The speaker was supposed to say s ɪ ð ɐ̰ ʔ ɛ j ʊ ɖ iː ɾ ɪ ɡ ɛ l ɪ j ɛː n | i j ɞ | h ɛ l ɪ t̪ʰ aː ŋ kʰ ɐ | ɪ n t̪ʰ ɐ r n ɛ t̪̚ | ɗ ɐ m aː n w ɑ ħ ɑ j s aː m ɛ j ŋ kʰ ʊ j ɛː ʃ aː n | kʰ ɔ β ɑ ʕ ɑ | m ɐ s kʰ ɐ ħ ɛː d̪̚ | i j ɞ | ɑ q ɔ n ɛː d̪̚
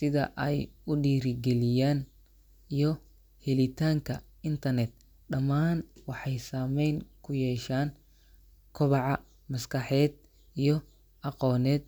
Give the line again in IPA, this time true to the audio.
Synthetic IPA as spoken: s ɪ ð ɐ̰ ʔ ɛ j ʊ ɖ iː ɾ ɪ ɡ ɛ l ɪ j aː n | i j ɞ | h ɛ l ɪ t̪ʰ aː ŋ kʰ ɐ | ɪ n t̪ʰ ɐ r n ɛ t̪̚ | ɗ ɐ m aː n w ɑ ħ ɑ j s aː m ɛ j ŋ kʰ ʊ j ɛː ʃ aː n | kʰ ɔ β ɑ ʕ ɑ | m ɐ s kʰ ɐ ħ ɛː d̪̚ | i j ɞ | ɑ q ɔː n ɛː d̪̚